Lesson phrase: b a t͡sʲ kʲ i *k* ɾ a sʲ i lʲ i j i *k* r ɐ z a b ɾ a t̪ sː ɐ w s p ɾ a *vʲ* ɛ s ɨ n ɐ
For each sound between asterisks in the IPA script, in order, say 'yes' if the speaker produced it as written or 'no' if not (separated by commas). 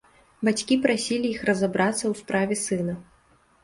no, no, yes